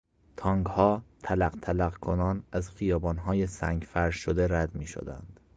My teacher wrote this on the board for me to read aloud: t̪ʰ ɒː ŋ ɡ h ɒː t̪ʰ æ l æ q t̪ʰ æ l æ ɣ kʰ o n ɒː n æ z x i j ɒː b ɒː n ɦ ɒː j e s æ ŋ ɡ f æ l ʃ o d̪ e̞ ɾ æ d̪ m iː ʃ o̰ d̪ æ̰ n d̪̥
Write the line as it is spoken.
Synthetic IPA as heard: t̪ʰ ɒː ŋ ɡ h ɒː t̪ʰ æ l æ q t̪ʰ æ l æ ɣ kʰ o n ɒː n æ z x i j ɒː b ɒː n ɦ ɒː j e s æ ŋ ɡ f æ ɾ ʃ o d̪ e̞ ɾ æ d̪ m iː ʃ o̰ d̪ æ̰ n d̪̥